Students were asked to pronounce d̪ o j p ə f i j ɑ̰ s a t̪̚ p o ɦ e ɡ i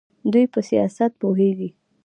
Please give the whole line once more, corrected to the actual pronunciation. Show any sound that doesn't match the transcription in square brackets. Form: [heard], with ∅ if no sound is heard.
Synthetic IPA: d̪ [u] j p ə [s] i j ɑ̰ s a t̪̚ p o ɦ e ɡ i